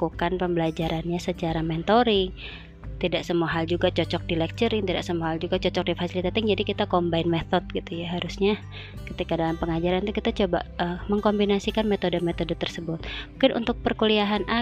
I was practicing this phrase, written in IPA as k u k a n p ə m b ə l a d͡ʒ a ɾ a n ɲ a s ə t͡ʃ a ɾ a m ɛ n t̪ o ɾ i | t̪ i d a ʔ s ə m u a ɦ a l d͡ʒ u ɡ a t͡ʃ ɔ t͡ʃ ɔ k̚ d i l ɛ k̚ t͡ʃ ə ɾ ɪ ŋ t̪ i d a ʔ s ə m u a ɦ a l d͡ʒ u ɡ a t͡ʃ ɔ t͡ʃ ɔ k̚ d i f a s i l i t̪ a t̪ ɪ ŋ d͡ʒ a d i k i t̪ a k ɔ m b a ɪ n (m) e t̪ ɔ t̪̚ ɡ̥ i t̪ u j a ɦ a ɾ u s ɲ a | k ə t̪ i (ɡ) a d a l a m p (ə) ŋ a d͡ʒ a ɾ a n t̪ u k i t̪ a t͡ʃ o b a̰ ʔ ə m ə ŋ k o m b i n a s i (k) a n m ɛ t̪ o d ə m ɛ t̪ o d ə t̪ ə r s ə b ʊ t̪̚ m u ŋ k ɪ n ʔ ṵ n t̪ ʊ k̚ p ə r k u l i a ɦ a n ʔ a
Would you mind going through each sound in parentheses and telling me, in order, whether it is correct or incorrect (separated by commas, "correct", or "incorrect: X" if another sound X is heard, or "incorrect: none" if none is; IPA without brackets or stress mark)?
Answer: correct, incorrect: k, correct, correct